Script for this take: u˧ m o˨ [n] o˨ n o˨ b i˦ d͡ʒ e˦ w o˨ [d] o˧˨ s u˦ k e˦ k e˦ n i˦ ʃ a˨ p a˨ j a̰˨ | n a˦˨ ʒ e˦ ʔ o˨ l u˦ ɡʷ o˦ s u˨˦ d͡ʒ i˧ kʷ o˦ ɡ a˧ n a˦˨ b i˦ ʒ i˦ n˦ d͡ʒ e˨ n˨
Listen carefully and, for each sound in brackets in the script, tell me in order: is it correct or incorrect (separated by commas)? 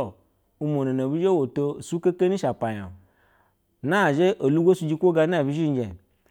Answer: correct, incorrect